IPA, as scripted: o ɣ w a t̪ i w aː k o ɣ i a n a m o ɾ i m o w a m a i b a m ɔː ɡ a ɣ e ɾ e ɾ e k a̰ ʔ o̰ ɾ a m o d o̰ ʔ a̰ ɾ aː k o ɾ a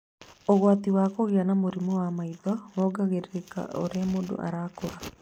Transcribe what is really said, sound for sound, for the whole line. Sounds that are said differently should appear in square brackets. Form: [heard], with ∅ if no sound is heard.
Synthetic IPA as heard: o ɣ w a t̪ i w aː k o ɣ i a n a m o ɾ i m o w a m a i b a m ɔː ɡ a ɣ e ɾ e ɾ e k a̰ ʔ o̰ ɾ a m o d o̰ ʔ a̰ ɾ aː k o ɾ a